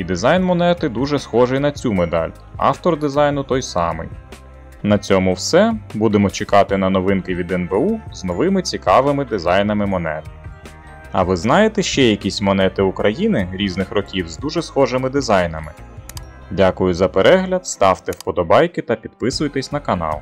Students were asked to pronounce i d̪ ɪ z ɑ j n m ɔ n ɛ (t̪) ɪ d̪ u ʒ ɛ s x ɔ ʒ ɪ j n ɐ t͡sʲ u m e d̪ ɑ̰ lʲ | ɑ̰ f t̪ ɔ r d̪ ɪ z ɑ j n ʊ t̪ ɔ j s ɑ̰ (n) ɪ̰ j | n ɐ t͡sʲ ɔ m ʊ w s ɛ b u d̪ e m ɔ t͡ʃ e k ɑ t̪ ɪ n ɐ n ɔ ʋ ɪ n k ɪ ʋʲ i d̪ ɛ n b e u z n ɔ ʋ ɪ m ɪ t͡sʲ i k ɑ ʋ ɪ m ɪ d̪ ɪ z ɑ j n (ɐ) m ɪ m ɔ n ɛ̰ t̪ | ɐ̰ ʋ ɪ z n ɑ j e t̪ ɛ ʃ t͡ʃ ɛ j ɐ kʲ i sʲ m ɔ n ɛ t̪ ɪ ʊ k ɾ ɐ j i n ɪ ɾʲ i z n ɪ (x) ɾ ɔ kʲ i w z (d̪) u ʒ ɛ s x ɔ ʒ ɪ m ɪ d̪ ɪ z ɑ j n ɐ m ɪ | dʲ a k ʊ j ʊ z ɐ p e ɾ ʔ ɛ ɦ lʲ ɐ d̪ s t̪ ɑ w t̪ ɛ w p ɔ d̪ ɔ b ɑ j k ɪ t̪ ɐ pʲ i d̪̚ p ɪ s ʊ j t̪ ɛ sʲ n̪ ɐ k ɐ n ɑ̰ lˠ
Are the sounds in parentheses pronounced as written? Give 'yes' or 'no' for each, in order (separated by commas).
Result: yes, no, yes, yes, yes